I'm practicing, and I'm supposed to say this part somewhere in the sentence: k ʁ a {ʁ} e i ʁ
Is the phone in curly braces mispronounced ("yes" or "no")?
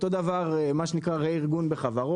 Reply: no